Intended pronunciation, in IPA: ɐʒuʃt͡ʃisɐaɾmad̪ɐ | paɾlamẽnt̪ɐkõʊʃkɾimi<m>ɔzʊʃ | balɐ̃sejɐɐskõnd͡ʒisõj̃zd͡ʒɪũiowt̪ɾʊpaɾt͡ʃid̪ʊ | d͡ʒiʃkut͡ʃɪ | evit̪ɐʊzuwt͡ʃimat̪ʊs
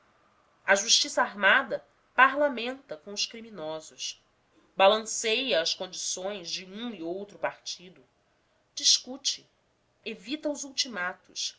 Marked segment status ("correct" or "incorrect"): incorrect